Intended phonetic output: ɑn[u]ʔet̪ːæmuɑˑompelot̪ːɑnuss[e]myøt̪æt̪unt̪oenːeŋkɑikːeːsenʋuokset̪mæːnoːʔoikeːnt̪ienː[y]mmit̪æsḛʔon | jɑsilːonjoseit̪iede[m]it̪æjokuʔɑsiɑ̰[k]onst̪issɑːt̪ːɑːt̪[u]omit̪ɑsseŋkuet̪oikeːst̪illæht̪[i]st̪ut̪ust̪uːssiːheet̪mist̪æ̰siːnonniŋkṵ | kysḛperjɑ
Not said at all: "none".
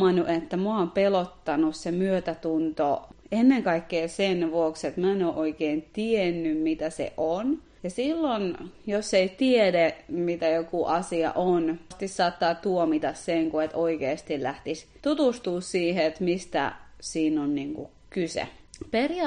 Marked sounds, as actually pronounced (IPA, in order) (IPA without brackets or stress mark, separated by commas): u, e, y, m, ʔ, u, i